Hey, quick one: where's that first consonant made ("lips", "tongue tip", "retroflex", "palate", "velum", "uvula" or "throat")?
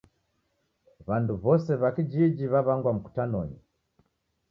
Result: lips